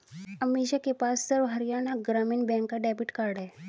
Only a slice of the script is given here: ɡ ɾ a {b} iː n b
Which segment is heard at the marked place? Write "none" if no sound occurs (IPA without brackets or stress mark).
m